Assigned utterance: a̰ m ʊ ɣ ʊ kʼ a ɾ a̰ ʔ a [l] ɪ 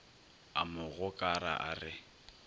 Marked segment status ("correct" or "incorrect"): incorrect